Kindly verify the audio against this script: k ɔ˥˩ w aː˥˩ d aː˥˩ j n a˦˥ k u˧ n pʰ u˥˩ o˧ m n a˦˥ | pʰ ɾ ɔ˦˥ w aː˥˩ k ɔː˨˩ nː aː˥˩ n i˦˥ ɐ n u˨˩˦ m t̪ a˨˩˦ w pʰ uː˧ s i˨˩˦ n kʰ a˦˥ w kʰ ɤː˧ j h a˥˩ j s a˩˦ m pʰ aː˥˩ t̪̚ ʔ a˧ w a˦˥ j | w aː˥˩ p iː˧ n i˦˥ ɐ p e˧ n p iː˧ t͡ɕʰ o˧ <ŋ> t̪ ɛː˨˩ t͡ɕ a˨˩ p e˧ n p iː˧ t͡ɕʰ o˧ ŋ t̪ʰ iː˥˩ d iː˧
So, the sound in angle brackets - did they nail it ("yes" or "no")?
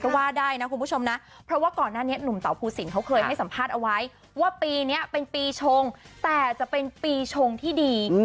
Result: yes